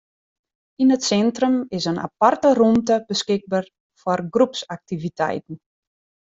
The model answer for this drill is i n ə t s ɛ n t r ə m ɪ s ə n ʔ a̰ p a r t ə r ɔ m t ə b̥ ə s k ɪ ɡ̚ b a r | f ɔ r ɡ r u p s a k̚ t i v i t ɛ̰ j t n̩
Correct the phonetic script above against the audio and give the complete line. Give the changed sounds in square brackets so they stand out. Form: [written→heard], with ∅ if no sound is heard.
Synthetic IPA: i n ə t s ɛ n t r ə m ɪ s ə n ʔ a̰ p a r t ə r [ɔ→u] m t ə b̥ ə s k ɪ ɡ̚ b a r | f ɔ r ɡ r u p s a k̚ t i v i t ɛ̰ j t n̩